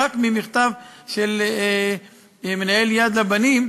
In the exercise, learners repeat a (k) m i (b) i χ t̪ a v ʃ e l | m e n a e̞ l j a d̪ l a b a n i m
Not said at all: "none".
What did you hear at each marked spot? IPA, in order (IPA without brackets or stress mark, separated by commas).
k, m